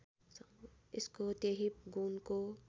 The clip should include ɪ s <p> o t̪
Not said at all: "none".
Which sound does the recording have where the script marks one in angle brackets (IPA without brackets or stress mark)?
k